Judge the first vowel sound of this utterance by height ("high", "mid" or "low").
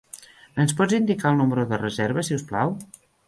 mid